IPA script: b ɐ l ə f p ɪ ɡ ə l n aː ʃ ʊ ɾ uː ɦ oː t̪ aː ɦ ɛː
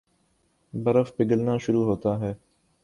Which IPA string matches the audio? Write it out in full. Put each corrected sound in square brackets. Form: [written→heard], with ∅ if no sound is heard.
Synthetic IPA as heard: b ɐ [l→ɾ] ə f p ɪ ɡ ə l n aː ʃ ʊ ɾ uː ɦ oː t̪ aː ɦ ɛː